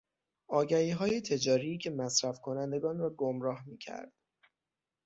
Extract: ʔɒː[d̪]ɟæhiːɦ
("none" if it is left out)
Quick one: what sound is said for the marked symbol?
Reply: none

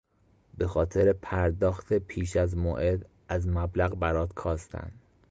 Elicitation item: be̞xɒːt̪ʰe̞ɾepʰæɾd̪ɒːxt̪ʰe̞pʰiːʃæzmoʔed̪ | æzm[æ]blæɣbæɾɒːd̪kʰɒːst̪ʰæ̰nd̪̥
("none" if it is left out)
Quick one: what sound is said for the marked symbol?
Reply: æ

